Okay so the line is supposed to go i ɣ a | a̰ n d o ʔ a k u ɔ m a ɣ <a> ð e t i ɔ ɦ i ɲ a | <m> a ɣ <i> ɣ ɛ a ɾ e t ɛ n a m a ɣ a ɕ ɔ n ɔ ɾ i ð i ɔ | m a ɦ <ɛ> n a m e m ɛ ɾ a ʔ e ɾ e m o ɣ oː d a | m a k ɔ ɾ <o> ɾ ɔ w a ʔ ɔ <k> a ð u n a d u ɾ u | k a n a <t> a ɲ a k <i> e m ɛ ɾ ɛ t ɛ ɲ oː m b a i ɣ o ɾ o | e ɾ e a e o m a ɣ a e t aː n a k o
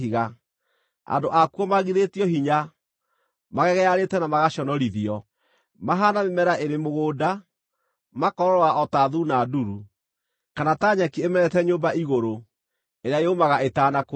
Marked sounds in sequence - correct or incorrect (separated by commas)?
incorrect, correct, incorrect, incorrect, incorrect, incorrect, correct, correct